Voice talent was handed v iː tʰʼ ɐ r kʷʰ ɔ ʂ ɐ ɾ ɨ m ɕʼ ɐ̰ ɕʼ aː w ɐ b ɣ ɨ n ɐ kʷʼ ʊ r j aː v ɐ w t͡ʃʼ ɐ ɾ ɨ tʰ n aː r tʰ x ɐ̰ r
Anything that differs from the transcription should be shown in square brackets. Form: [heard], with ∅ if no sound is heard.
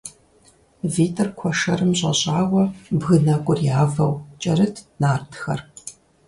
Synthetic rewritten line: v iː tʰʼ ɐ r kʷʰ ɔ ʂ ɐ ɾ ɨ m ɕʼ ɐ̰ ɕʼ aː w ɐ b ɣ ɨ n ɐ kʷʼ ʊ r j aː v ɐ w t͡ʃʼ ɐ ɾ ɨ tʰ n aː r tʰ x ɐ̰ r